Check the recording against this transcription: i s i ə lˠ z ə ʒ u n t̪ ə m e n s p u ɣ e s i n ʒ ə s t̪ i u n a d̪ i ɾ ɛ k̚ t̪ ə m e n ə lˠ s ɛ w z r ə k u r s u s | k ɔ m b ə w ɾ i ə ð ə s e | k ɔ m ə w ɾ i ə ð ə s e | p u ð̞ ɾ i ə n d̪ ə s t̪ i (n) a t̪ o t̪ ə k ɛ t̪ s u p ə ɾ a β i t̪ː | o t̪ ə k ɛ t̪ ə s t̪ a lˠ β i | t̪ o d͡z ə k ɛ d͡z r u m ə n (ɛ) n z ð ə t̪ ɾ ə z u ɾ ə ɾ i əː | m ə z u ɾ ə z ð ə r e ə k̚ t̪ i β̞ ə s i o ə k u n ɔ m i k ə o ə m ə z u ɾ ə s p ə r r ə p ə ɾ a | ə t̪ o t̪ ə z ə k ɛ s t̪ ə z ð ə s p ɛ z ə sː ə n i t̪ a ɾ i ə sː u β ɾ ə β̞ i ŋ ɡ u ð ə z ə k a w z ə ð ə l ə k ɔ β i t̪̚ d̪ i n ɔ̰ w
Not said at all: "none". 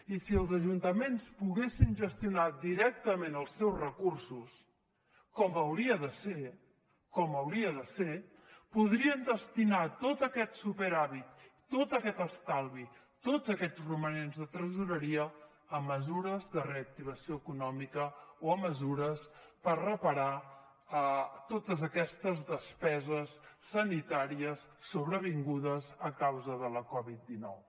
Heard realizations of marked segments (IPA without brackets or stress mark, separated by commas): n, e